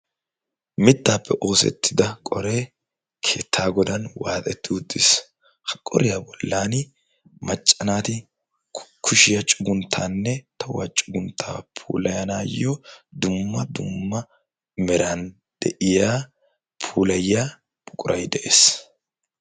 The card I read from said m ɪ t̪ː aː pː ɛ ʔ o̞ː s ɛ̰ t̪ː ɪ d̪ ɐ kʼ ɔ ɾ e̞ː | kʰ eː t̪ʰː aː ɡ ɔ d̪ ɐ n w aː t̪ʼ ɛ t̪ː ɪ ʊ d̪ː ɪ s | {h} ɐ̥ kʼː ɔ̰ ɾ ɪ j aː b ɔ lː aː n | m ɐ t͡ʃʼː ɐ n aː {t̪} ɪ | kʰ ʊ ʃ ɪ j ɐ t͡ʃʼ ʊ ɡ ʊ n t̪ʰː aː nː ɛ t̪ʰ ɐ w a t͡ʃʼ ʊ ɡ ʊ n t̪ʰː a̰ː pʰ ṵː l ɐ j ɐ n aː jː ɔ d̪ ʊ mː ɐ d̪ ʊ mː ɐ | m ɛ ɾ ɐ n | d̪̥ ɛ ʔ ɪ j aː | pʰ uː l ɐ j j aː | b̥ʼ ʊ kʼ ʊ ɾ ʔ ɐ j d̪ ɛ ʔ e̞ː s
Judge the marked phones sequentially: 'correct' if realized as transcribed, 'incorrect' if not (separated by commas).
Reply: correct, correct